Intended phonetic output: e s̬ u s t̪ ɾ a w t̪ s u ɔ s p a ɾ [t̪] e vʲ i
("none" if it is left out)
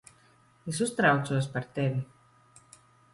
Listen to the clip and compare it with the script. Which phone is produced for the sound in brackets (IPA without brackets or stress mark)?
t̪